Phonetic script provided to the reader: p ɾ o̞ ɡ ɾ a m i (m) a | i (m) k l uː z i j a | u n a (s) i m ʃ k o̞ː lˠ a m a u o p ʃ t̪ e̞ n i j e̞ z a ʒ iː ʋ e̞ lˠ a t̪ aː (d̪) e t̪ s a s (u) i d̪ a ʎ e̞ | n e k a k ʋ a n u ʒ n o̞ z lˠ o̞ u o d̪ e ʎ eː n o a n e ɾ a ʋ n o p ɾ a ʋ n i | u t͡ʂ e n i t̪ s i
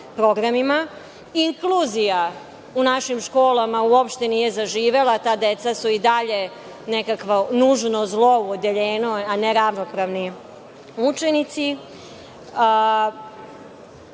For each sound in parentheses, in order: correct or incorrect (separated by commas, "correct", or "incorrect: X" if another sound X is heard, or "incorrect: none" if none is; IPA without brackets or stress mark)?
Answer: correct, incorrect: ŋ, incorrect: ʃ, correct, correct